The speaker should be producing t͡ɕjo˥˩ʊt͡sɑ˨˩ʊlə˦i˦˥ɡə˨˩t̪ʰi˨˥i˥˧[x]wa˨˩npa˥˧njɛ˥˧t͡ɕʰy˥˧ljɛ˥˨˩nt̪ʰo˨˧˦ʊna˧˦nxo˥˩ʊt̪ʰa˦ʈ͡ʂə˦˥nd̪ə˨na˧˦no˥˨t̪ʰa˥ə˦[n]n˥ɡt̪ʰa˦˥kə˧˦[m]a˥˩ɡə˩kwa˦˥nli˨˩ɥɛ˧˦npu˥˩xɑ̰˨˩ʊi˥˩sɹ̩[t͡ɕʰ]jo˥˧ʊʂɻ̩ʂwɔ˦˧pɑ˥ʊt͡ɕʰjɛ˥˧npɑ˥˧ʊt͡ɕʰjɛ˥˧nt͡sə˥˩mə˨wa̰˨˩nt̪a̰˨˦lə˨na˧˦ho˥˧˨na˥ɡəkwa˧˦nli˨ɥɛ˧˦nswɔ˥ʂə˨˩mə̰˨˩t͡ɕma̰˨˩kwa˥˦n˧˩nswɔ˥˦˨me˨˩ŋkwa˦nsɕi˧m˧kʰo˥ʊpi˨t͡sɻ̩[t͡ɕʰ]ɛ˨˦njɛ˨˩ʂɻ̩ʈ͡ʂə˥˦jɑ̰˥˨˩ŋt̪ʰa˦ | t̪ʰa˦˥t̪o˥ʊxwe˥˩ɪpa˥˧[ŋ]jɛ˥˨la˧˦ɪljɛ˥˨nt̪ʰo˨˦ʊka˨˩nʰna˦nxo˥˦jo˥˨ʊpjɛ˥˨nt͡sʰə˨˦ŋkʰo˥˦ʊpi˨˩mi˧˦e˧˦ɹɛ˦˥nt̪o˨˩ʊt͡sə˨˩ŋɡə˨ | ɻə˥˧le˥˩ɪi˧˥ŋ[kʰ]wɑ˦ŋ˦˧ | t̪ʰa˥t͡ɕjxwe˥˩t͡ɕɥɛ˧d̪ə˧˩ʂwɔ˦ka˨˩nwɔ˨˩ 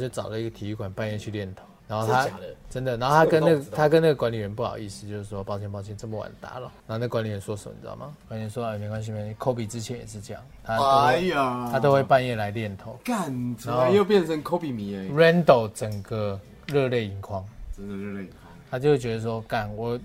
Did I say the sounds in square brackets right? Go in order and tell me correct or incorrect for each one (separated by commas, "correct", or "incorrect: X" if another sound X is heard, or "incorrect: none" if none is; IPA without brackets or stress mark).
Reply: incorrect: k, correct, incorrect: n, incorrect: t͡ɕ, correct, incorrect: n, correct